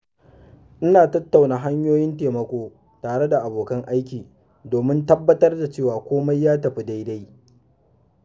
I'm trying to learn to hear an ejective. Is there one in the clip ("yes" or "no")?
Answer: no